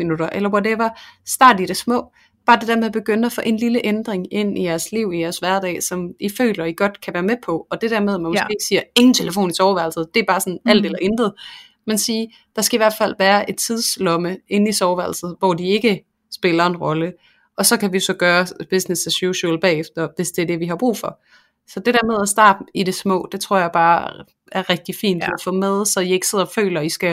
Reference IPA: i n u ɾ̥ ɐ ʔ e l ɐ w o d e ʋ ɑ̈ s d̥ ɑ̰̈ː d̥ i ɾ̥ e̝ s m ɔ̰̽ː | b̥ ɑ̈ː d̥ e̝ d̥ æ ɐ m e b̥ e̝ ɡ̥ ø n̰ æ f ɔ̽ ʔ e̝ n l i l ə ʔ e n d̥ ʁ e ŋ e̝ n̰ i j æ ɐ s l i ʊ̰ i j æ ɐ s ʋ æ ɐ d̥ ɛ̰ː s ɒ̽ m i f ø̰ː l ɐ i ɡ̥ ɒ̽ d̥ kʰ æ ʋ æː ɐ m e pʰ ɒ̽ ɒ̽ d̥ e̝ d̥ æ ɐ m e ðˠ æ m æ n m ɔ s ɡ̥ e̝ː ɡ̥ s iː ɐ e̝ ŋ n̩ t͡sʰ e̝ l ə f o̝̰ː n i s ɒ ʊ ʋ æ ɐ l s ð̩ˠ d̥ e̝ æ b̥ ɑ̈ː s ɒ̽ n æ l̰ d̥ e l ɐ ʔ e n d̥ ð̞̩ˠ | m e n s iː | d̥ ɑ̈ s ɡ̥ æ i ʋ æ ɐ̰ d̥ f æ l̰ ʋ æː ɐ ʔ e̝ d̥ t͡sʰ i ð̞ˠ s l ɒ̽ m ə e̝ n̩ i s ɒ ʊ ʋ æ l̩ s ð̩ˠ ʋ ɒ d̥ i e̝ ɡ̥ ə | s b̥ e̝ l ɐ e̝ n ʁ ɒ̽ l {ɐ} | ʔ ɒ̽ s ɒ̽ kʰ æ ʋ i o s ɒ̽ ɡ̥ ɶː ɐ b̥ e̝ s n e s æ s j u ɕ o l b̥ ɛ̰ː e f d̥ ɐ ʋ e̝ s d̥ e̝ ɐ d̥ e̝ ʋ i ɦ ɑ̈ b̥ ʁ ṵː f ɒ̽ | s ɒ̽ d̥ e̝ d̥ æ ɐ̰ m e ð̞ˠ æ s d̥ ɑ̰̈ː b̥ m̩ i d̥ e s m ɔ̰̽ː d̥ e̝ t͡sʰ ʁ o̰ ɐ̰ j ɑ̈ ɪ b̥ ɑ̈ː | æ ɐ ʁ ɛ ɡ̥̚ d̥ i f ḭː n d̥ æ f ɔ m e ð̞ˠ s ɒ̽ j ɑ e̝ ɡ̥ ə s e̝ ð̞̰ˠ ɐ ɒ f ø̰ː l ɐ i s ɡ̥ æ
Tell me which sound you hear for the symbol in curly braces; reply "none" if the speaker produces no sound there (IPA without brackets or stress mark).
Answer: ə